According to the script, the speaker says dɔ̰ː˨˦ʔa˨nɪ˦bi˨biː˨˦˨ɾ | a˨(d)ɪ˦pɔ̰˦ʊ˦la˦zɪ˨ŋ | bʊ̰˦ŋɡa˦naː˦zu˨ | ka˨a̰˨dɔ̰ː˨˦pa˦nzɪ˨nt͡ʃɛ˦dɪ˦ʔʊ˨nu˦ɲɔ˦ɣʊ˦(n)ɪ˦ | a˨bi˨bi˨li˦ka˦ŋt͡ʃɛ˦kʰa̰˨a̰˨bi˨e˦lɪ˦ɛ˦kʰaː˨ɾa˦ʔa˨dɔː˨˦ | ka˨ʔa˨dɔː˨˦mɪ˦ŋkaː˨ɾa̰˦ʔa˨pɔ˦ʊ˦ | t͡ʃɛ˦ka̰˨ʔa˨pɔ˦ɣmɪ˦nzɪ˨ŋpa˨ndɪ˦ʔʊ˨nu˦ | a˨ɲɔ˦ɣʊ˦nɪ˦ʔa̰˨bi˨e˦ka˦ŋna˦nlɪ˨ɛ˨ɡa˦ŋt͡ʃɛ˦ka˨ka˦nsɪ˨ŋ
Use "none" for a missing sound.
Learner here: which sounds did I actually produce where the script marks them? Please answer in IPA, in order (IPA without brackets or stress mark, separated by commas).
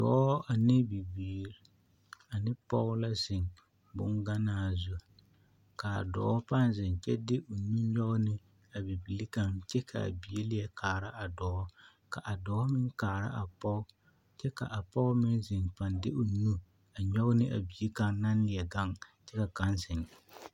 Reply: n, n